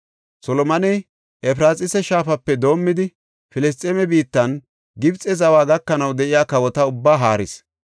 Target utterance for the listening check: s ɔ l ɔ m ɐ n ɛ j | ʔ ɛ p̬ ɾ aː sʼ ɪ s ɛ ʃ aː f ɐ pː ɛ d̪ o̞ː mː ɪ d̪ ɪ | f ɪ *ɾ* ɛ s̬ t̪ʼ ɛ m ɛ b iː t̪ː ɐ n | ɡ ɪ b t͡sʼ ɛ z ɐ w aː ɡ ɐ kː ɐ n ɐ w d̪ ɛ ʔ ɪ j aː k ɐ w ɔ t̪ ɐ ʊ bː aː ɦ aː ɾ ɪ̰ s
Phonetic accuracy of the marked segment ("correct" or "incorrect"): incorrect